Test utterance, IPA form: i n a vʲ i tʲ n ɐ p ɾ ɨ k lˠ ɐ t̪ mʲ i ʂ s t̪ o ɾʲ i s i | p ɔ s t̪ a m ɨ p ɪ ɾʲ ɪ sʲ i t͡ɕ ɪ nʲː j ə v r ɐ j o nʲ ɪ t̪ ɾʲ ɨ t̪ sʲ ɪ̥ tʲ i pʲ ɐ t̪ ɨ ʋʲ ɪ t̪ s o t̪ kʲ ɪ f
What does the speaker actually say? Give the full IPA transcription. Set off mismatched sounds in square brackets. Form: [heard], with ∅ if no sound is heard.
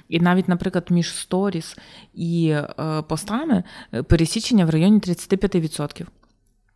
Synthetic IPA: i n a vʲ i tʲ n ɐ p ɾ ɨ k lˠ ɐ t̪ mʲ i ʂ s t̪ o ɾʲ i s i | p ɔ s t̪ a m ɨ p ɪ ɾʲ ɪ sʲ i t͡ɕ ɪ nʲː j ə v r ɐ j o nʲ ɪ t̪ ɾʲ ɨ t̪ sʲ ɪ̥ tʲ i pʲ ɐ t̪ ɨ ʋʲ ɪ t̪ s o t̪ kʲ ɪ f